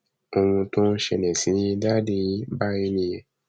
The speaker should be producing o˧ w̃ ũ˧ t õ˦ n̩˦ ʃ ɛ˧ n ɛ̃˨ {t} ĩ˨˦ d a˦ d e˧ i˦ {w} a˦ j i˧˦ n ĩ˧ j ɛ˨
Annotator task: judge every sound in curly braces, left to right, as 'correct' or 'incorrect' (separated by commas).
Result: incorrect, incorrect